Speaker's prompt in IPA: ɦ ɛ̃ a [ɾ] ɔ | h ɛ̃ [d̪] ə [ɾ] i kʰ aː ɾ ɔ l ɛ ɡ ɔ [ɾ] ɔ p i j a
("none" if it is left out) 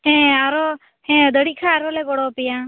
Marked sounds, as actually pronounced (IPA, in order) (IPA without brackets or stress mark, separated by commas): ɾ, d̪, ɽ, ɽ